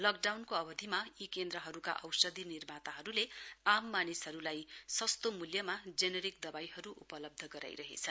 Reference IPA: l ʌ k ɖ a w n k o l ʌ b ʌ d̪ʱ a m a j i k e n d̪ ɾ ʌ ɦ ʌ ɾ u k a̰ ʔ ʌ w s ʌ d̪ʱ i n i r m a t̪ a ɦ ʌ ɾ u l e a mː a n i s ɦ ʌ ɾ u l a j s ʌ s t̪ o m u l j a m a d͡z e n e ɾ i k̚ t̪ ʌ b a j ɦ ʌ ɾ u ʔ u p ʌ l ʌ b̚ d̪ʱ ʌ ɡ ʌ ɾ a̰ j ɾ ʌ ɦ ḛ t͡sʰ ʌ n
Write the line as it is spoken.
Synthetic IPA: l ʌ k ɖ a w n k o ʌ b ʌ d̪ʱ i m a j i k e n d̪ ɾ ʌ ɦ ʌ ɾ u k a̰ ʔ ʌ w s ʌ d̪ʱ i n i r m a t̪ a ɦ ʌ ɾ u l e a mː a n i s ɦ ʌ ɾ u l a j s ʌ s t̪ o m u l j ʌ m a d͡z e n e ɾ i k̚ d̪ ʌ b a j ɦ ʌ ɾ u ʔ u p ʌ l ʌ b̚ d̪ʱ ʌ ɡ ʌ ɾ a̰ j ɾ ʌ ɦ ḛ t͡sʰ ʌ n